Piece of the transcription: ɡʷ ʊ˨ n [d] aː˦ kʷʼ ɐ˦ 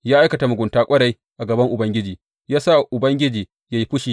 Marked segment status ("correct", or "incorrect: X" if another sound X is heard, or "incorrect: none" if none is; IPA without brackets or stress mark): incorrect: t